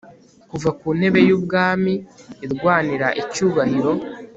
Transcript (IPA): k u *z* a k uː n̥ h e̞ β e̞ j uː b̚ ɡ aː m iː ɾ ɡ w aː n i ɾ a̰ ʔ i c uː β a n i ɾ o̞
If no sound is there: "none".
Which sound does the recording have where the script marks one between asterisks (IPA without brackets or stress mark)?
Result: v